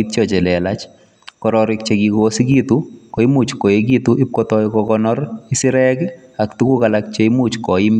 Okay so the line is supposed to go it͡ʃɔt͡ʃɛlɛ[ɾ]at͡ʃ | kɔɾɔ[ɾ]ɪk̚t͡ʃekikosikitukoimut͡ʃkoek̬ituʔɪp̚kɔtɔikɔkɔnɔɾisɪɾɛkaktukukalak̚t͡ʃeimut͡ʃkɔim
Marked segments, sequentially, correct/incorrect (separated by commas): incorrect, correct